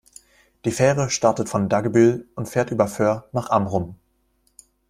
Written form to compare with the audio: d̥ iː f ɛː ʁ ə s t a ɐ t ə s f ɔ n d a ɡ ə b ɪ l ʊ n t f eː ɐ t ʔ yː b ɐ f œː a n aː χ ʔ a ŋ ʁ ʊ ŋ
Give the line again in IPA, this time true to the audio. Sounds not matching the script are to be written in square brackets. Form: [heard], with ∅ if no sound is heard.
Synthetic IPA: d̥ iː f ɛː ʁ ə [ʃ] t a ɐ t ə [t] f ɔ n d a ɡ ə b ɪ l ʊ n t f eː ɐ t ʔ yː b ɐ f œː [ɐ] n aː χ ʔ a [m] ʁ ʊ [m]